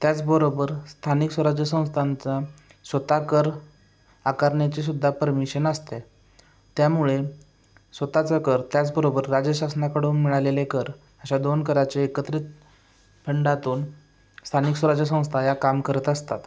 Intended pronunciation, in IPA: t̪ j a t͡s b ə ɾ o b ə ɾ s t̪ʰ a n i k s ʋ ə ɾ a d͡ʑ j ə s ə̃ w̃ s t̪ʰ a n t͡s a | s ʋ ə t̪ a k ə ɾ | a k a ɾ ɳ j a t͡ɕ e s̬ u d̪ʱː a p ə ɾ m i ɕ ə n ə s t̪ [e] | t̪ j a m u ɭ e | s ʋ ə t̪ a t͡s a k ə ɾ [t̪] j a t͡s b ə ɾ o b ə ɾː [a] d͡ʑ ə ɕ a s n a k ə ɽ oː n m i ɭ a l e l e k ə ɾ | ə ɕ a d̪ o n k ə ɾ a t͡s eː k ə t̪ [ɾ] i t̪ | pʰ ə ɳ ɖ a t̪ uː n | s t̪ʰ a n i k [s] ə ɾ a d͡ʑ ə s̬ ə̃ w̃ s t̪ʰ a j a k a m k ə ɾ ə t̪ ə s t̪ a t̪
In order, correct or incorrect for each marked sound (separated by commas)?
correct, correct, correct, correct, correct